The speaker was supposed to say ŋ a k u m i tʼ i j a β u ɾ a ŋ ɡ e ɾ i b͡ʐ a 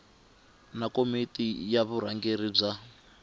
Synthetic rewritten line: n a k o m i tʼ i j a β u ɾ a ŋ ɡ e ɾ i b͡ʐ a

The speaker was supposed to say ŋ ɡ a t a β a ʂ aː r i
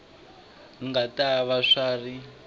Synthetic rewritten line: ŋ ɡ a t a β a ʂ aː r i

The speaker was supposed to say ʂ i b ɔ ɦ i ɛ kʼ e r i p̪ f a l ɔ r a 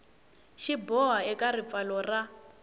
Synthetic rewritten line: ʃ i b ɔ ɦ a ɛ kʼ a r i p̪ f a l ɔ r a

